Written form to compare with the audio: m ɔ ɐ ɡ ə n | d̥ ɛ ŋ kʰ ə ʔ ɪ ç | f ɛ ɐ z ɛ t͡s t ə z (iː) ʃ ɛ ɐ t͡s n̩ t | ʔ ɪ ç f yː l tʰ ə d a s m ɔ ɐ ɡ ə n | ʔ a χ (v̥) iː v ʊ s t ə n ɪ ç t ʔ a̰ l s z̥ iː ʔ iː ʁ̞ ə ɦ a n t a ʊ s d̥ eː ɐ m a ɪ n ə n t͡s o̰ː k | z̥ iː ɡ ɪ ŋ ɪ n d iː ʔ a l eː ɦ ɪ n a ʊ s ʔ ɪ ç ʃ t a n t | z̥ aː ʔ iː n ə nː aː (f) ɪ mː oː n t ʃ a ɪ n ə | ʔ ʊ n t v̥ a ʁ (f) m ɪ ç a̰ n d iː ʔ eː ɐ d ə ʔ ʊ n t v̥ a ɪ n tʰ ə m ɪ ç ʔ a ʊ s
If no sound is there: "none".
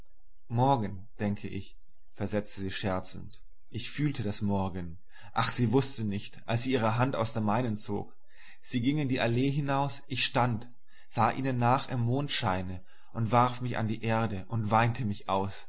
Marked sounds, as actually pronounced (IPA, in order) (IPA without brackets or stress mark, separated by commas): iː, z̥, χ, f